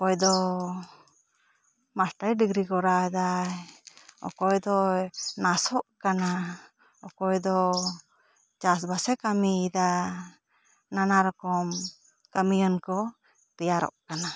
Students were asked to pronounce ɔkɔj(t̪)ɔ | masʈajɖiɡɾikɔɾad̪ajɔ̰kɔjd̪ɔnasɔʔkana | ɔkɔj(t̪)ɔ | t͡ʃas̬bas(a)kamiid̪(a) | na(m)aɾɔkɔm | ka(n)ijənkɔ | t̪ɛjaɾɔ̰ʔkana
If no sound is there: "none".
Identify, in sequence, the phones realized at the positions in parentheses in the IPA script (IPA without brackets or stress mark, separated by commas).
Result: d̪, d̪, ɛ, a, n, m